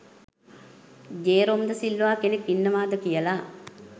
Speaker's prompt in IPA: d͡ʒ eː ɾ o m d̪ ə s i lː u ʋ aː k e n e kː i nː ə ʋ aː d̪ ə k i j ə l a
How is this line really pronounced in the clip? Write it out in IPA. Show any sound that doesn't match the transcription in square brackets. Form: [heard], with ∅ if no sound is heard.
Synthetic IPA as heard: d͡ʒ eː ɾ o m d̪ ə s i lː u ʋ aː k e n e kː i nː ə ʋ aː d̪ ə k i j ə l a

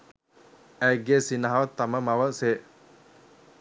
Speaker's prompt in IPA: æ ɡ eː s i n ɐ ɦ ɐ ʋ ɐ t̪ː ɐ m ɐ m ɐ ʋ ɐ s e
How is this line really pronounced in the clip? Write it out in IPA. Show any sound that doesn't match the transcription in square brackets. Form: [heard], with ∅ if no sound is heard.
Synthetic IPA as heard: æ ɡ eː s i n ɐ ɦ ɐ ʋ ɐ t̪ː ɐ m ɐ m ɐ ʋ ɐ s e

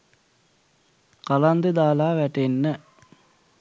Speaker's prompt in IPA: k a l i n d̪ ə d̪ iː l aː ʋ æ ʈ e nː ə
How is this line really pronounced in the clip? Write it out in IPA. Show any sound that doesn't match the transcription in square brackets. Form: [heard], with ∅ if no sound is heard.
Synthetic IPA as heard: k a l [a] n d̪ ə d̪ [aː] l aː ʋ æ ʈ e nː ə

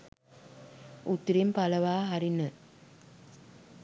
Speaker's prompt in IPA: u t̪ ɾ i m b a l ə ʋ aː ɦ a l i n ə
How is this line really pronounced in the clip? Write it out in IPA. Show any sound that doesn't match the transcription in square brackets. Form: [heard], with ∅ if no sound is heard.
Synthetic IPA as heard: u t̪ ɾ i m [p] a l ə ʋ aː ɦ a [ɾ] i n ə

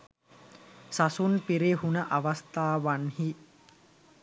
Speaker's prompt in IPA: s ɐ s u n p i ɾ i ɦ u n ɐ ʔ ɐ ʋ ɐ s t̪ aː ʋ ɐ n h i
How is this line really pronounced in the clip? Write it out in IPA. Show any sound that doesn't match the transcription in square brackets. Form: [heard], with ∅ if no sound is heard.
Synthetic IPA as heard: s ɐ s u n p i ɾ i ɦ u n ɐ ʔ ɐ ʋ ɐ s t̪ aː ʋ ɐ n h i

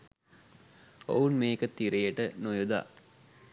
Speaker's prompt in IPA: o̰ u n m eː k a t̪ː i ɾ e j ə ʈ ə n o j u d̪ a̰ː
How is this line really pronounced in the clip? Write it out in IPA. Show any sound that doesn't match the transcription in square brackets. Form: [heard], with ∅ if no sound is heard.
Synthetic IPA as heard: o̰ u n m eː k [ə] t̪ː i ɾ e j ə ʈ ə n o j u d̪ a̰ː

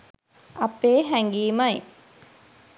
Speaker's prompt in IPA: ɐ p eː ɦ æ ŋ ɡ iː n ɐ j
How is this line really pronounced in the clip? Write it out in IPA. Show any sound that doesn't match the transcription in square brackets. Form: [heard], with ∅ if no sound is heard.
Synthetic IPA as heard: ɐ p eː ɦ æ ŋ ɡ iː [m] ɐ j

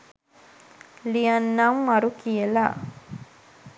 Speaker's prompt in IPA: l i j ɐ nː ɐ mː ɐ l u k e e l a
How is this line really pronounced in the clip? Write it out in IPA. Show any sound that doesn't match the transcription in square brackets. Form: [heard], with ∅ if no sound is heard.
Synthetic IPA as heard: l i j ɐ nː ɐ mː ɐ [ɾ] u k [i] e l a

